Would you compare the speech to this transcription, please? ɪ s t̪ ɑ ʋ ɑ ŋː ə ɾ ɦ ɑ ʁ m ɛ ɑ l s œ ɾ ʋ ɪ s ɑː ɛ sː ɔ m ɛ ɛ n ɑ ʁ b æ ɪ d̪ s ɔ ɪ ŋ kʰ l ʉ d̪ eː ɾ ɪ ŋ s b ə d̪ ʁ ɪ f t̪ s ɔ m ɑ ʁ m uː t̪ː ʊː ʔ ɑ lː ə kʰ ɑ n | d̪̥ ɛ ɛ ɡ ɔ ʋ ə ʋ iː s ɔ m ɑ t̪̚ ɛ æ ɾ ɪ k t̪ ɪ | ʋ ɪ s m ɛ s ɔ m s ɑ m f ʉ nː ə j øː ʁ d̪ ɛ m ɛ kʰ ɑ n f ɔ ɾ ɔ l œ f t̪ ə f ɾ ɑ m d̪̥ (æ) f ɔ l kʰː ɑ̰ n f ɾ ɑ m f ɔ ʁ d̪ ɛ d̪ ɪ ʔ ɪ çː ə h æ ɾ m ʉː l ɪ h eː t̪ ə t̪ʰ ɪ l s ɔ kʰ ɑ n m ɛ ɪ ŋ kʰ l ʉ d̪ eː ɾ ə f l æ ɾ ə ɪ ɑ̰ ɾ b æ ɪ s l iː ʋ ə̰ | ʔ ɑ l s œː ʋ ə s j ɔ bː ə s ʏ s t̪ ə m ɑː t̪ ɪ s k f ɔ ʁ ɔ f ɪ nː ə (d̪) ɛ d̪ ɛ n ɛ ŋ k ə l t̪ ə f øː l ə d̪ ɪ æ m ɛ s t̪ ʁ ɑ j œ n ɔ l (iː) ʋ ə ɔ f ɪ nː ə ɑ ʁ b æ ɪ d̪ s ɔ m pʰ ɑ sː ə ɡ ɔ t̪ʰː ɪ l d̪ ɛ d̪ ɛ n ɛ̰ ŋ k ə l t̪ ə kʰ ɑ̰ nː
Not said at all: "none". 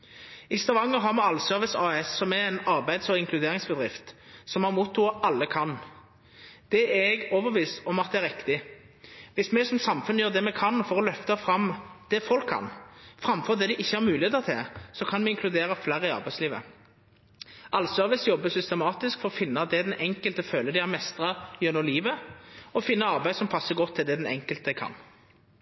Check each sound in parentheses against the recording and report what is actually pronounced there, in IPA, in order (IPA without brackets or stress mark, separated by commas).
ɛ, d̪, iː